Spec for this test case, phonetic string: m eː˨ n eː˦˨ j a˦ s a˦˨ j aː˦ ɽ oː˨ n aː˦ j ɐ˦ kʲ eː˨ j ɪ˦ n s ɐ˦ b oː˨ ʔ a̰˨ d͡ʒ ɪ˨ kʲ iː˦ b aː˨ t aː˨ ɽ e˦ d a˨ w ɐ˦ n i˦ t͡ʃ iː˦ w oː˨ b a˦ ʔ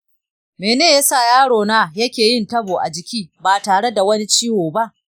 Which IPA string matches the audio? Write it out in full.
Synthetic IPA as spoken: m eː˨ n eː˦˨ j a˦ s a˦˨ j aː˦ ɽ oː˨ n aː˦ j ɐ˦ kʲ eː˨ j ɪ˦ n t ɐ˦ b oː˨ ʔ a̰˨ d͡ʒ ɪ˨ kʲ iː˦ b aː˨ t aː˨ ɽ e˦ d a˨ w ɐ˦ n i˦ t͡ʃ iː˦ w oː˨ b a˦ ʔ